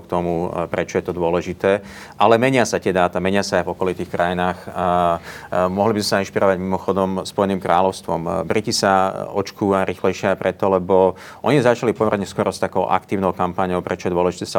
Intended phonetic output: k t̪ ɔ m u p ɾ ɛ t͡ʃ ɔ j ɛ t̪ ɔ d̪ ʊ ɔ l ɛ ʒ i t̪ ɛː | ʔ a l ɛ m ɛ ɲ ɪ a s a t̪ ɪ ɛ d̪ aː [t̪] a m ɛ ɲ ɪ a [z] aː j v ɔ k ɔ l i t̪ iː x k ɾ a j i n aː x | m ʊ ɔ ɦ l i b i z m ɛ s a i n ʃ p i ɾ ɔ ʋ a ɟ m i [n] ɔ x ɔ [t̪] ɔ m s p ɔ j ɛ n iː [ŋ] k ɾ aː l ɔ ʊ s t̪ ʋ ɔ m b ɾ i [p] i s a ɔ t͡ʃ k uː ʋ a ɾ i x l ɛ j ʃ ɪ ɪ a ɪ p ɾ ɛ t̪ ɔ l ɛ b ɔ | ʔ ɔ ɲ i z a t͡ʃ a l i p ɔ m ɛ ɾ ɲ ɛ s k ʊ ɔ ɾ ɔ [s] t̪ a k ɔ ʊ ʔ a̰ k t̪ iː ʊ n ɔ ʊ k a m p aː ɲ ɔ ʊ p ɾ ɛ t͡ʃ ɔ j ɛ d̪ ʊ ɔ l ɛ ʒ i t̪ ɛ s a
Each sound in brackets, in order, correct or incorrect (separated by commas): correct, incorrect, incorrect, incorrect, incorrect, incorrect, correct